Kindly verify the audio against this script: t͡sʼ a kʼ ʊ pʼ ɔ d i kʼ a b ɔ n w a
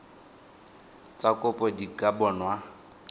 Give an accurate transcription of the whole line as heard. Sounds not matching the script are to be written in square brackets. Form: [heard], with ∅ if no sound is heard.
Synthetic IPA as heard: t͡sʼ a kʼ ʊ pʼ ɔ d i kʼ a b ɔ n w a